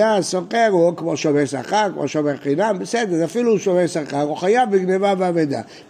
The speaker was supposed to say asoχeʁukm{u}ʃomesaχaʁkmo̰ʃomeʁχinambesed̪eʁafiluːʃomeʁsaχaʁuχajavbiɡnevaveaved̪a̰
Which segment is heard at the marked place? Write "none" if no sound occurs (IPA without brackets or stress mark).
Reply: o